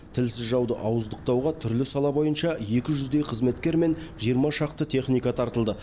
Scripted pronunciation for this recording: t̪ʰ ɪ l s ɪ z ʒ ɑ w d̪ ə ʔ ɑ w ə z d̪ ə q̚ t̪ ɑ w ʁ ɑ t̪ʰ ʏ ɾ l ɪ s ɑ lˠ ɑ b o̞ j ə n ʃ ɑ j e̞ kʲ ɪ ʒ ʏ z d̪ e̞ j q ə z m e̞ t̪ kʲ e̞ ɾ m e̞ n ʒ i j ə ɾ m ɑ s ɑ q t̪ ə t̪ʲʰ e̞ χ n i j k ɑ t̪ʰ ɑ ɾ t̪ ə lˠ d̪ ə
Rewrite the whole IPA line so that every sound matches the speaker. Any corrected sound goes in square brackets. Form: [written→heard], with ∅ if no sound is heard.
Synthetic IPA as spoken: t̪ʰ ɪ l s ɪ z ʒ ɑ w d̪ ə ʔ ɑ w ə z d̪ ə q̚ t̪ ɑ w ʁ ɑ t̪ʰ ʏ ɾ l ɪ s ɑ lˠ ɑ b o̞ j ə n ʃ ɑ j e̞ kʲ ɪ ʒ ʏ z d̪ e̞ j [q→qʰ] ə z m e̞ t̪ kʲ e̞ ɾ m e̞ n ʒ i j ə ɾ m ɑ [s→ʃ] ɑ q t̪ ə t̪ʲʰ e̞ χ n i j k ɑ t̪ʰ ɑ ɾ t̪ ə lˠ d̪ ə